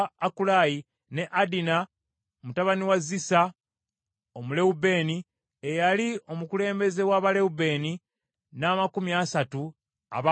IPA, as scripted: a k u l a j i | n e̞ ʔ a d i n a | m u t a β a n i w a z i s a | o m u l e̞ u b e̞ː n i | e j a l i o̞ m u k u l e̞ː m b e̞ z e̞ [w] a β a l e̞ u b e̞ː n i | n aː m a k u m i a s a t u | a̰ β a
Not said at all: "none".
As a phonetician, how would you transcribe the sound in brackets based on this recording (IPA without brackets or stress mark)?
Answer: w